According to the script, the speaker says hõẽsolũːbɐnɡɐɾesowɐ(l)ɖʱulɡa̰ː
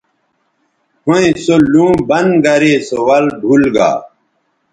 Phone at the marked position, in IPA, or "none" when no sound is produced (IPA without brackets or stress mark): l